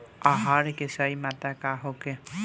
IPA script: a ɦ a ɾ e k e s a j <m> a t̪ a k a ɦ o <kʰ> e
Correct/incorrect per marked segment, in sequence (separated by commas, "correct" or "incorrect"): correct, incorrect